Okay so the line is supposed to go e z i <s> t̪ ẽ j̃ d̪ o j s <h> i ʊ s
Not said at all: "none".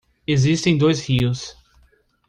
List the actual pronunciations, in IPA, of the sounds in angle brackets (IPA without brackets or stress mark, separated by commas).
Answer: s, h